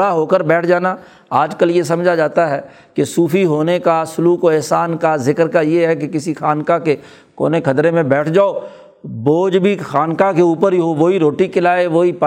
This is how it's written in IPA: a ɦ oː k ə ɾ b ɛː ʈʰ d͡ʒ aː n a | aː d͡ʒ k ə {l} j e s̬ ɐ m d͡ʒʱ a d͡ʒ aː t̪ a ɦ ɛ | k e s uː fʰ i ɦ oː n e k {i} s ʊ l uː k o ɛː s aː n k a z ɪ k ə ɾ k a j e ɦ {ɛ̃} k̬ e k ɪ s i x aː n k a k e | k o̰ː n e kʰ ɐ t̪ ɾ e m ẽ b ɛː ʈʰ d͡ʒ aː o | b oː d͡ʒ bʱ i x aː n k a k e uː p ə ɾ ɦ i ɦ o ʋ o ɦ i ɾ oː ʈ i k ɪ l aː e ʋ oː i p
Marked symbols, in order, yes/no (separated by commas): yes, no, no